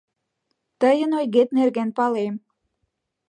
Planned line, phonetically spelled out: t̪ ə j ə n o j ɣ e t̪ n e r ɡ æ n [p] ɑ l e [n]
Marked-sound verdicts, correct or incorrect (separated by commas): correct, incorrect